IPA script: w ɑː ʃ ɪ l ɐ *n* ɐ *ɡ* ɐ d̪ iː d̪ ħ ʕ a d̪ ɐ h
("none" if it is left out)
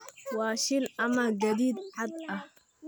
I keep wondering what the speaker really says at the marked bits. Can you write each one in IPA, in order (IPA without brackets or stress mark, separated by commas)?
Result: m, ɡ